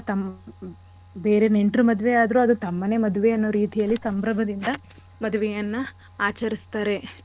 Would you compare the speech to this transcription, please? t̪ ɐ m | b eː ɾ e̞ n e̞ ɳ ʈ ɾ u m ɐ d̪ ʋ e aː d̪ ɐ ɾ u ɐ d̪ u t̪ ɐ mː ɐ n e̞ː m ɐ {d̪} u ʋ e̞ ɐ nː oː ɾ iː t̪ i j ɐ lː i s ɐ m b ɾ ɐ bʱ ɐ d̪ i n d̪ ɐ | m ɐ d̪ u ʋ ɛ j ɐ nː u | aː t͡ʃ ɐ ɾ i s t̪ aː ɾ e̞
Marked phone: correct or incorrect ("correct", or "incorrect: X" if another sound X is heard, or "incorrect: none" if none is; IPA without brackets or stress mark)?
correct